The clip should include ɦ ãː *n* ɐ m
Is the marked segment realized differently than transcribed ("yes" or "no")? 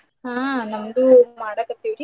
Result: no